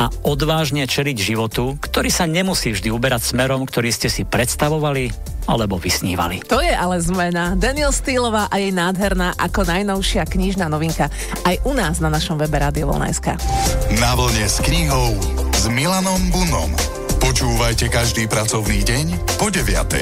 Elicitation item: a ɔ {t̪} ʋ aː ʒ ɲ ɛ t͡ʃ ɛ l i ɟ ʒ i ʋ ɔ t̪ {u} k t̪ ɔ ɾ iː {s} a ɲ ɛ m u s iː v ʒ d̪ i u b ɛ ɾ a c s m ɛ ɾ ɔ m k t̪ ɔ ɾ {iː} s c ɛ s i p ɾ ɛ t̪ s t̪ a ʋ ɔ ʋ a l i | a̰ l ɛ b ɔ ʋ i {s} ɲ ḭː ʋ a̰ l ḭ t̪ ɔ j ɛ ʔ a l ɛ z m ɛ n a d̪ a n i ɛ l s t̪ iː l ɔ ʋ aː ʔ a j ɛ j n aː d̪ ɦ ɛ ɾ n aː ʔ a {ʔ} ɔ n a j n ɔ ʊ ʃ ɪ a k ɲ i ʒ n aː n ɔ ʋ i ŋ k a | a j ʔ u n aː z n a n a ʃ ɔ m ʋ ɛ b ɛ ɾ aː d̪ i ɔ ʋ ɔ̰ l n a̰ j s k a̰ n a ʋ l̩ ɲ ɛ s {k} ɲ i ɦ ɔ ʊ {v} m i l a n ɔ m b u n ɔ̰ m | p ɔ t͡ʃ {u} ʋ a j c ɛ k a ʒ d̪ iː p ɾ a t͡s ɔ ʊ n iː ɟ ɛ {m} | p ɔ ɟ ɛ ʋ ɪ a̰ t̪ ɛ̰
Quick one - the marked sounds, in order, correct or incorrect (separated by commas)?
incorrect, correct, correct, correct, correct, incorrect, correct, incorrect, incorrect, incorrect